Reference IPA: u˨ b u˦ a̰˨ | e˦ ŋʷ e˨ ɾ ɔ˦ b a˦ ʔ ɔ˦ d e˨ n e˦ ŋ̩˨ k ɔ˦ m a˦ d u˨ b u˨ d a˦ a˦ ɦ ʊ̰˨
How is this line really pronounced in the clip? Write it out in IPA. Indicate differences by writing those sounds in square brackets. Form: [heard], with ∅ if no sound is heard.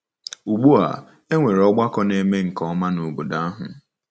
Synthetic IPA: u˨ [ɡ͡b] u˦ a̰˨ | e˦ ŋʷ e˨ ɾ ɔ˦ [ɡ͡b] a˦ [k] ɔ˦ [n] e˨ [m] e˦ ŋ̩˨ k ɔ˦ m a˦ [n] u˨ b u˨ d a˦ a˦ ɦ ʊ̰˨